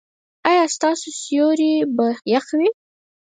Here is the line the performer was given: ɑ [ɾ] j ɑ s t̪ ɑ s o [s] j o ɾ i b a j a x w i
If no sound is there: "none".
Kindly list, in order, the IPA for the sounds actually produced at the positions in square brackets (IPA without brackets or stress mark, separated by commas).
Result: none, s